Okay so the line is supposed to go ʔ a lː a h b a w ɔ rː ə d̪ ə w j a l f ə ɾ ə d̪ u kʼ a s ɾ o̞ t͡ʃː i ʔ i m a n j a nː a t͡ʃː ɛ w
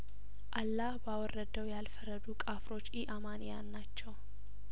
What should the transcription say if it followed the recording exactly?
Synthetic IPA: ʔ a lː a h b a w ɔ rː ə d̪ ə w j a l f ə ɾ ə d̪ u kʼ a f ɾ o̞ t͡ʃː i ʔ a m a n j a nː a t͡ʃː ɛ w